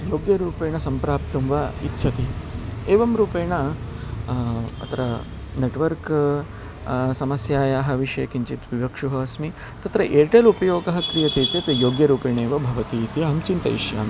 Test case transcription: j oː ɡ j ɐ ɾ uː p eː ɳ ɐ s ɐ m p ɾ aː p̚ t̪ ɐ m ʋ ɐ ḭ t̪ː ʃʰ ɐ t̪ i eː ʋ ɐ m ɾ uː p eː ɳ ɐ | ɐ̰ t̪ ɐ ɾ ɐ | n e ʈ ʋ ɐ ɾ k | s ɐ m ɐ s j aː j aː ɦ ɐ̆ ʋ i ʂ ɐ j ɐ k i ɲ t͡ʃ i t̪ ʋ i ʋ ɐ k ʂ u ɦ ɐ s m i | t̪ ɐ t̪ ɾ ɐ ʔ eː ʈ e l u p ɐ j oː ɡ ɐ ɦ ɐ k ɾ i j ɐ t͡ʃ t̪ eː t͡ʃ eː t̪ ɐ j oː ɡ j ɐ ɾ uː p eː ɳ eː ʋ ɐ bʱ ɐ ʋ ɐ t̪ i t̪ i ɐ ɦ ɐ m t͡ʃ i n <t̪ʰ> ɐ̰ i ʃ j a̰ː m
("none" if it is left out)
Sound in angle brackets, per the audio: t̪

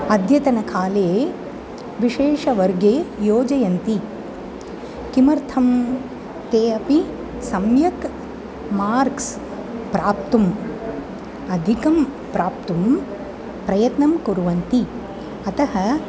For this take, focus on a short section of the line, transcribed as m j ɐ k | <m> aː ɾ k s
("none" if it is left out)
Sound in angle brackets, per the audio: m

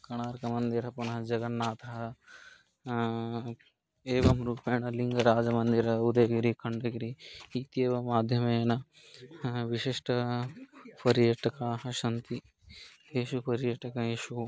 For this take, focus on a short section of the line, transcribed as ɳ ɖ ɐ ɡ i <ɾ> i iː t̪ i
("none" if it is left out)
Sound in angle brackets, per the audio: ɾ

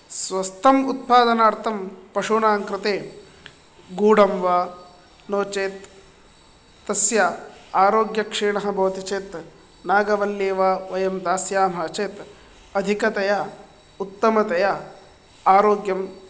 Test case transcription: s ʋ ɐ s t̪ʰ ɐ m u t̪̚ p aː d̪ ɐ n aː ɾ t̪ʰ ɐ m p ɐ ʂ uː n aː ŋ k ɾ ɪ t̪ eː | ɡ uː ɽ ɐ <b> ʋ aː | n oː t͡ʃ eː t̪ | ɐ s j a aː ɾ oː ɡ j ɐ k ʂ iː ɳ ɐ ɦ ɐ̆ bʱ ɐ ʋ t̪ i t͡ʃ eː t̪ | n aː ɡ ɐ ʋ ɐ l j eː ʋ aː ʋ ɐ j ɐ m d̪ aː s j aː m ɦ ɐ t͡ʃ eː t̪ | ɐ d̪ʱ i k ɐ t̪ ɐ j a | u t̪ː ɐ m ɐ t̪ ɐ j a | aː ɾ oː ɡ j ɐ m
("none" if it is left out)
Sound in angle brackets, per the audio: m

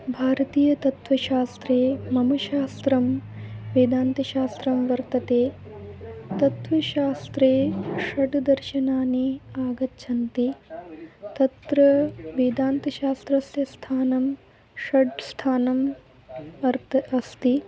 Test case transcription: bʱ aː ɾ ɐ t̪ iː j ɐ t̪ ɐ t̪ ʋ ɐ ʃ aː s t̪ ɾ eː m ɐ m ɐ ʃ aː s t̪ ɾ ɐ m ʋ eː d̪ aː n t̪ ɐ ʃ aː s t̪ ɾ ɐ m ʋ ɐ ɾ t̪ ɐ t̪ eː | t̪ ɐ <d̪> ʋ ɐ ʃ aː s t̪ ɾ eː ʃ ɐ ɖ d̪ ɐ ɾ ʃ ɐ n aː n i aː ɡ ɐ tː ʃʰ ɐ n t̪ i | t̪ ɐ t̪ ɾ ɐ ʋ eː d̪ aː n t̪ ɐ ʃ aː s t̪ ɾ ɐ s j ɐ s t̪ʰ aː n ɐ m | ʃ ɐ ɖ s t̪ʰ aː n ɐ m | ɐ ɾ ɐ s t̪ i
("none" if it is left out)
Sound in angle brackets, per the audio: t̪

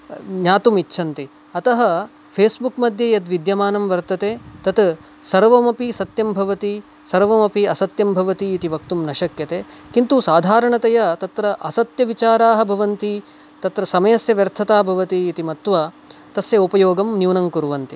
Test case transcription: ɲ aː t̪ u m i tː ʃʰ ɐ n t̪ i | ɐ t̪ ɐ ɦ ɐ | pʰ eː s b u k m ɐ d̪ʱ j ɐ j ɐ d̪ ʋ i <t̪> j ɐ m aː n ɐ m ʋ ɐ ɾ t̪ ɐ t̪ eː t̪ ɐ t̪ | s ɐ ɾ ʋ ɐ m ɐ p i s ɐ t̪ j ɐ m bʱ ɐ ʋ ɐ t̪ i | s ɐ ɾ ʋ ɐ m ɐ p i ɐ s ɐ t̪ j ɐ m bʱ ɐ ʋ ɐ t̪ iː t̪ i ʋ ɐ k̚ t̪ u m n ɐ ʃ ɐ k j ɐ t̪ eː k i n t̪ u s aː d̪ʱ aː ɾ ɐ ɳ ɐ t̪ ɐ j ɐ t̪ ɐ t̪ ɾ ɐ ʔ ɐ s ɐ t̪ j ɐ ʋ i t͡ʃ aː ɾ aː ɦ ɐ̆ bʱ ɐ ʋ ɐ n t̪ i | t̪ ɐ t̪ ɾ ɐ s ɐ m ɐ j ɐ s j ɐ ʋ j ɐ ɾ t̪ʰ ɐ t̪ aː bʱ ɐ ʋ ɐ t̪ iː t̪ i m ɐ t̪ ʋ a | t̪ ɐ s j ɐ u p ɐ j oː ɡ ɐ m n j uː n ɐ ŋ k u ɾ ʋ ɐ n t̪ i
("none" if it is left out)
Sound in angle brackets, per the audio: d̪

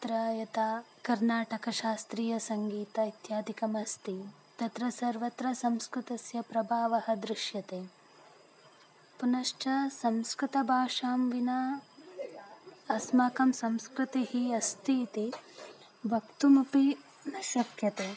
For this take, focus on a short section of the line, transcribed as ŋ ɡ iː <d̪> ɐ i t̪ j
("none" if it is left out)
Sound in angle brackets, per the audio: t̪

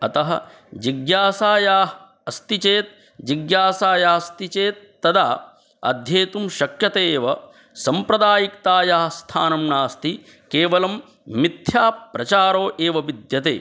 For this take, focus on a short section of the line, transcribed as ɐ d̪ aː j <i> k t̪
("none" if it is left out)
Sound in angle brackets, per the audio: i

